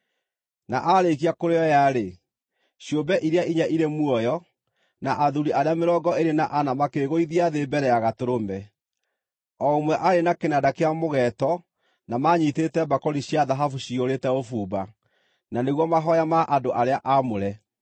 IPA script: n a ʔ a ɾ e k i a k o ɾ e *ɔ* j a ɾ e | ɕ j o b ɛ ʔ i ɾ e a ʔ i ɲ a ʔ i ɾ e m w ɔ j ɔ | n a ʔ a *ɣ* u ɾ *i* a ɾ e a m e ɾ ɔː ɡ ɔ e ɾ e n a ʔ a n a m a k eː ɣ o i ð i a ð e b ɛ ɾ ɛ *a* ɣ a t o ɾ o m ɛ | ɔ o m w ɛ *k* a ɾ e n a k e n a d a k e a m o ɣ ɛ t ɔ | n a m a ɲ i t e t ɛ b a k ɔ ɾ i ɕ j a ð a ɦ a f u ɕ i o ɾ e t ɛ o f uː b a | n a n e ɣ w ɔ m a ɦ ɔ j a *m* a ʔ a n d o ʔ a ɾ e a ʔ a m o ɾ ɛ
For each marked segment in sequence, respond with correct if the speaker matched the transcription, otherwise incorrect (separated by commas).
correct, incorrect, correct, correct, incorrect, correct